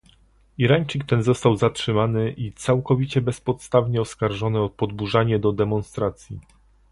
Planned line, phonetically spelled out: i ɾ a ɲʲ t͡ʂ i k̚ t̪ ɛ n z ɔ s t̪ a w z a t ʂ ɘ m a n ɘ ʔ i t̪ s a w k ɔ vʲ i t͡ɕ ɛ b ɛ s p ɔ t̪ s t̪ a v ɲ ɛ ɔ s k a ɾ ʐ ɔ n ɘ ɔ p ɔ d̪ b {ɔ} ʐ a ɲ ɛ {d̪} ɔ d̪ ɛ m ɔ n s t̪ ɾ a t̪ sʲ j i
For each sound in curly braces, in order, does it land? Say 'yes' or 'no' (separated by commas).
no, yes